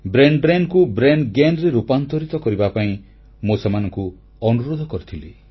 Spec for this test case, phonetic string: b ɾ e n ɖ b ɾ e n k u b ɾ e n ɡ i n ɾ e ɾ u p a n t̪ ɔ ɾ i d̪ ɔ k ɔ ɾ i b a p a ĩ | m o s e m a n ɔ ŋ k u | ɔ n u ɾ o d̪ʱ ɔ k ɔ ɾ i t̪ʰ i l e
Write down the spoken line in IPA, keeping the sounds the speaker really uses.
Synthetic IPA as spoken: b ɾ e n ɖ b ɾ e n k u b ɾ e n ɡ e n ɾ e ɾ u p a n t̪ ɔ ɾ i t̪ ɔ k ɔ ɾ i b a p a ĩ | m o s e m a n ɔ ŋ k u | ɔ n u ɾ o d̪ʱ ɔ k ɔ ɾ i t̪ʰ i l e